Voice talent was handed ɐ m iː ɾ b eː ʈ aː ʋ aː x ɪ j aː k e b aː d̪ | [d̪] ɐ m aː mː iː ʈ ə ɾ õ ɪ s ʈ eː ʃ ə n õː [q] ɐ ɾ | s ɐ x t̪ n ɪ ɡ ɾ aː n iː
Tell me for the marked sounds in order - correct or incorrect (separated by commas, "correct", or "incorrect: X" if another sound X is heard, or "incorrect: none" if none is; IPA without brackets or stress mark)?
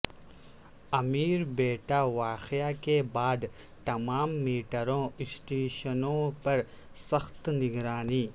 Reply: incorrect: t̪, incorrect: p